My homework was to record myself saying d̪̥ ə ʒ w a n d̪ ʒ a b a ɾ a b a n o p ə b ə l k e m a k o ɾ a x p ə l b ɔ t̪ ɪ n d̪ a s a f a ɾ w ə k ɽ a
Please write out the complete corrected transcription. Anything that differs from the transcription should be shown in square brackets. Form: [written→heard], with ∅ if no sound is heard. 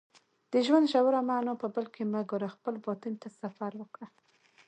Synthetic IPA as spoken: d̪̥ ə ʒ w a n d̪ ʒ a [b→w] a ɾ a [b→m] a n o p ə b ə l k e m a [k→ɡ] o ɾ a x p ə l b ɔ t̪ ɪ n [d̪→t̪] a s a f a ɾ w ə k ɽ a